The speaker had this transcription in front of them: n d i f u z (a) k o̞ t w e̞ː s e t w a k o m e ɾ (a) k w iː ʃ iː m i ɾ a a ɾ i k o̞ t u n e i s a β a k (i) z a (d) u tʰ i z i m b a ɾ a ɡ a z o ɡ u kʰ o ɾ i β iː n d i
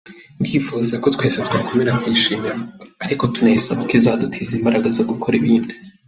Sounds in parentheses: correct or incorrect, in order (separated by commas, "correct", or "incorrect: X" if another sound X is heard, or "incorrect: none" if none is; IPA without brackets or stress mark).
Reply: correct, correct, correct, correct